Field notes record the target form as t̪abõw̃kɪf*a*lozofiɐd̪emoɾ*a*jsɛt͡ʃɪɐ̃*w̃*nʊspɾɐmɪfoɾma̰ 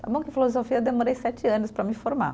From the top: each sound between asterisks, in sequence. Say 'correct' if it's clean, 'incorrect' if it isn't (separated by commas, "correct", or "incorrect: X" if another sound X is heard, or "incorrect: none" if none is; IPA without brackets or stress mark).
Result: incorrect: i, incorrect: e, incorrect: none